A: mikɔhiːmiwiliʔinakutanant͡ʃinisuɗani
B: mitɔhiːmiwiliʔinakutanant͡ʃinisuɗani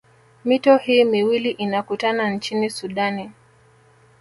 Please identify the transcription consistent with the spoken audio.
B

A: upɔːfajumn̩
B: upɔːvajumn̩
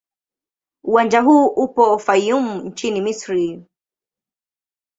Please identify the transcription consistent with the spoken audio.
A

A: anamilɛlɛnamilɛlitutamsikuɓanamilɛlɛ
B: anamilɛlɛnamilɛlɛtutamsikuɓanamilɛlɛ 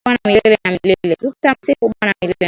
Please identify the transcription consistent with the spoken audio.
B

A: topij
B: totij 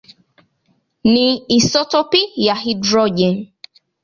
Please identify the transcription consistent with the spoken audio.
A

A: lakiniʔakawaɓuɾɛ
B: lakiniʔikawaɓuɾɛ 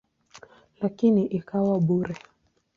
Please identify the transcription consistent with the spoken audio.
B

